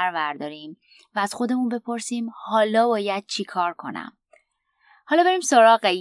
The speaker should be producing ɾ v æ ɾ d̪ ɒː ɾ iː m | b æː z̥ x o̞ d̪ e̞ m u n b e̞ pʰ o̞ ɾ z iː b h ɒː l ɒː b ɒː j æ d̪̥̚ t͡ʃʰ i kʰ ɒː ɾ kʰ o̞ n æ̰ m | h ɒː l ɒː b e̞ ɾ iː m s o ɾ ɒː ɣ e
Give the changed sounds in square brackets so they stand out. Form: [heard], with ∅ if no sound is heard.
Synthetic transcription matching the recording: ɾ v æ ɾ d̪ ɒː ɾ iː m | [v] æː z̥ x o̞ d̪ e̞ m u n b e̞ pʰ o̞ ɾ [s] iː [m] h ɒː l ɒː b ɒː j æ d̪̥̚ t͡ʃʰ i kʰ ɒː ɾ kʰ o̞ n æ̰ m | h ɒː l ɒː b e̞ ɾ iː m s o ɾ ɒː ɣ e